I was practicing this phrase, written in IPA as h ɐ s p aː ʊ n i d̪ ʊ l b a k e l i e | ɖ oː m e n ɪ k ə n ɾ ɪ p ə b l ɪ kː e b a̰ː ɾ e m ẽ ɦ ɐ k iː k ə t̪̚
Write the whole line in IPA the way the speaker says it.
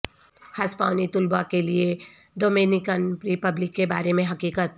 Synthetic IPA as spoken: h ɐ s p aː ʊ n i t̪ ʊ l b a k e l i e | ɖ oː m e n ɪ k ə n ɾ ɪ p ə b l ɪ kː e b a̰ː ɾ e m ẽ ɦ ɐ k iː k ə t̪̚